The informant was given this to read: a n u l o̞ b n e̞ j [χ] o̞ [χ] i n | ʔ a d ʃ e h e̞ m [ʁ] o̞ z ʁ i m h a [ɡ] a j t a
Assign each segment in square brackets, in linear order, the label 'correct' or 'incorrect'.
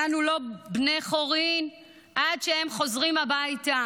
correct, incorrect, incorrect, incorrect

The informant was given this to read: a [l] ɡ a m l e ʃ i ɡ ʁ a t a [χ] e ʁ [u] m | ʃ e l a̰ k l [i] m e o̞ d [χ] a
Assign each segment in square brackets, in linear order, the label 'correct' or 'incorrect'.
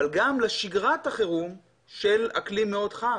correct, correct, correct, correct, correct

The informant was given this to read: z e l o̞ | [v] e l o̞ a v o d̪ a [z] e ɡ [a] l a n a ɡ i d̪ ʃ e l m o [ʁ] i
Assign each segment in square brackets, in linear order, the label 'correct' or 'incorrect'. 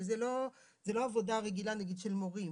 incorrect, incorrect, incorrect, correct

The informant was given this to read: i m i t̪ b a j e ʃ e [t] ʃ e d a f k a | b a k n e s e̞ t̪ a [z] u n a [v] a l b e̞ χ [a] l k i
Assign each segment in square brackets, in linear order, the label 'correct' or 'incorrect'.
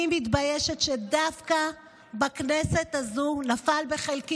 correct, correct, incorrect, incorrect

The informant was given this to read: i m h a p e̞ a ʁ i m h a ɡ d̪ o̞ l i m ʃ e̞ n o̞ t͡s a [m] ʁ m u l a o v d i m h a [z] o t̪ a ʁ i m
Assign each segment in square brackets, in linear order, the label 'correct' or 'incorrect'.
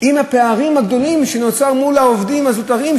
incorrect, correct

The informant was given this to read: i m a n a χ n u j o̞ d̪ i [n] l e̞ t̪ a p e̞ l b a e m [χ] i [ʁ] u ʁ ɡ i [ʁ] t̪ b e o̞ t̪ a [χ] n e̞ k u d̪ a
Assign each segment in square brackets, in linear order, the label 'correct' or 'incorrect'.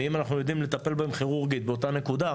incorrect, correct, correct, incorrect, incorrect

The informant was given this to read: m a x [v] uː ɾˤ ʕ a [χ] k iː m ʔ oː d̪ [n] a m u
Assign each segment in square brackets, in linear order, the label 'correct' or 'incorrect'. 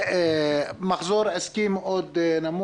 incorrect, incorrect, correct

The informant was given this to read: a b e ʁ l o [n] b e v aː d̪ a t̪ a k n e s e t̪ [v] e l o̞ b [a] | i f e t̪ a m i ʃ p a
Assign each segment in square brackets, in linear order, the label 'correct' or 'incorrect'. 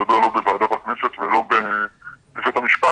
incorrect, correct, incorrect

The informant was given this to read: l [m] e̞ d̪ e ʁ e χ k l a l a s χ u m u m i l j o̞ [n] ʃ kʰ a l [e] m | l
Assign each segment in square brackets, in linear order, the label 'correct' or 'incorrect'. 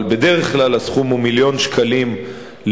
incorrect, correct, incorrect

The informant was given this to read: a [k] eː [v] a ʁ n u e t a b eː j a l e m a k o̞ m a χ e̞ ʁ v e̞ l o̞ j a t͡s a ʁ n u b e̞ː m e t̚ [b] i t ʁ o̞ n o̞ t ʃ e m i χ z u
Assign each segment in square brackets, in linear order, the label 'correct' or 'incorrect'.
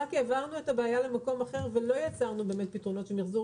correct, correct, incorrect

